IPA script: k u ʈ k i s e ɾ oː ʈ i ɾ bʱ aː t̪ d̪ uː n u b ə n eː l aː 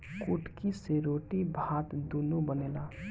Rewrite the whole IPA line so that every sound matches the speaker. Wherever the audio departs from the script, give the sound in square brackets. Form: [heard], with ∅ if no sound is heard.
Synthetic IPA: k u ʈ k i s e ɾ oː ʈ i [∅] bʱ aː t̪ d̪ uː n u b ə n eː l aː